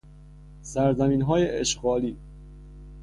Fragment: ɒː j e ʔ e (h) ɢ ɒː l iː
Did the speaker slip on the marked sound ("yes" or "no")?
yes